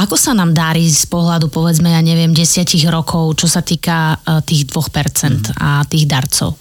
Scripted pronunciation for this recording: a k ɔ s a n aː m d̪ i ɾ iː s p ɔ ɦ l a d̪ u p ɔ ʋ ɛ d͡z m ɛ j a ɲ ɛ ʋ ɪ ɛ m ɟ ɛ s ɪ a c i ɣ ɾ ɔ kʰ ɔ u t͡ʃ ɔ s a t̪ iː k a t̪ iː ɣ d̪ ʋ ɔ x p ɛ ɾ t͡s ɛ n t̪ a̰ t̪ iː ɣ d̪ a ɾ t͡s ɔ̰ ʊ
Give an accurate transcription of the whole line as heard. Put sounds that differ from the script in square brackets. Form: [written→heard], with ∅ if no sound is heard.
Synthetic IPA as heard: a k ɔ s a n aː m d̪ [i→a] ɾ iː s p ɔ ɦ l a d̪ u p ɔ ʋ ɛ d͡z m ɛ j a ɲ ɛ ʋ ɪ ɛ m ɟ ɛ s ɪ a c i ɣ ɾ ɔ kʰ ɔ [u→ʊ] t͡ʃ ɔ s a t̪ iː k a t̪ iː ɣ d̪ ʋ ɔ x p ɛ ɾ t͡s ɛ n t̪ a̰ t̪ iː ɣ d̪ a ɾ t͡s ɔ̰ ʊ